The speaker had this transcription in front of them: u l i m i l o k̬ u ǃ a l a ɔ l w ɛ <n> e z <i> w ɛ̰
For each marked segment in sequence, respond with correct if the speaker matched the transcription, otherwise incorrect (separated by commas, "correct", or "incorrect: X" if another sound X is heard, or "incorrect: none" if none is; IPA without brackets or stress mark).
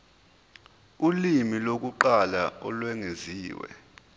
incorrect: ŋ, incorrect: iː